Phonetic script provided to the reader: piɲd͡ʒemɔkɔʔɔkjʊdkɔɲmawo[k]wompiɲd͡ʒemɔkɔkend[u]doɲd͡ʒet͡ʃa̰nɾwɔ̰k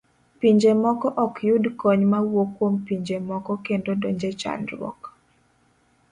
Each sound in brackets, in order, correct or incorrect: correct, incorrect

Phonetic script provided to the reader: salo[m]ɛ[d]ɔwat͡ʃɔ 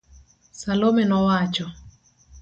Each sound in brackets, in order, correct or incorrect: correct, incorrect

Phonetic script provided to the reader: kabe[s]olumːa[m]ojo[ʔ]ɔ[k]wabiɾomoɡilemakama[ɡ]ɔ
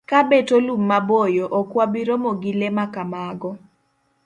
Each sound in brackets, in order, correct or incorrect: incorrect, incorrect, correct, correct, correct

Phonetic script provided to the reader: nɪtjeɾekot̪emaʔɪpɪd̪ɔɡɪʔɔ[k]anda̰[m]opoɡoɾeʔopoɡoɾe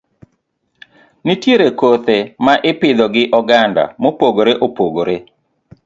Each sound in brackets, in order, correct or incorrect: incorrect, correct

